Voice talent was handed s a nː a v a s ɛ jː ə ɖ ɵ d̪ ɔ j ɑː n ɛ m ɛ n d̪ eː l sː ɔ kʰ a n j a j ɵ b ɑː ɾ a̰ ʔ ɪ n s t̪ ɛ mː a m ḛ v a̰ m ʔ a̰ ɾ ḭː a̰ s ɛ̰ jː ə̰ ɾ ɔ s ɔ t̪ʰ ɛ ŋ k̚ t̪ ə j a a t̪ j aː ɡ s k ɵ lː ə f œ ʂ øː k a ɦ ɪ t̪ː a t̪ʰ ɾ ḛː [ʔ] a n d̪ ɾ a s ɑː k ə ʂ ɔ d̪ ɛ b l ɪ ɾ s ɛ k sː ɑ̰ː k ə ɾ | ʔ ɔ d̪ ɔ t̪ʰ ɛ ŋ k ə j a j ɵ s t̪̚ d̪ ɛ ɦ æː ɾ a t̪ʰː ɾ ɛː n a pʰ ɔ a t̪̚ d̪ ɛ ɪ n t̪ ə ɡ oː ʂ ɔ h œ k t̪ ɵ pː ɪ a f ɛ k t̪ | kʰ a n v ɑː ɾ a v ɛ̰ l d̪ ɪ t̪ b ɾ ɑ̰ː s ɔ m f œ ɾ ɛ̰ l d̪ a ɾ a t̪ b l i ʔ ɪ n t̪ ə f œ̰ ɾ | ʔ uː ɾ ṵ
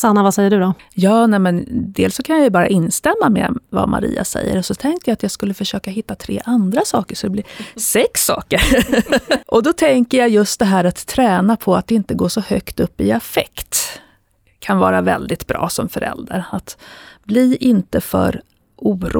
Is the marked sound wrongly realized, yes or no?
no